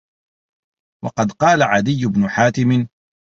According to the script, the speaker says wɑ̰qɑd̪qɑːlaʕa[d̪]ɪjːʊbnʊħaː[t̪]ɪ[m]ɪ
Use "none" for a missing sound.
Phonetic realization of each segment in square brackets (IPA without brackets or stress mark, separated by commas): d̪, t̪, m